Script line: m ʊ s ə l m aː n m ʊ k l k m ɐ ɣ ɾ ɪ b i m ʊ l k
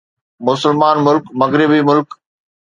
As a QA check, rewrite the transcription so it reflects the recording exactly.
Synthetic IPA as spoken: m ʊ s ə l m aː n m ʊ l k m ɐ ɣ ɾ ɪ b i m ʊ l k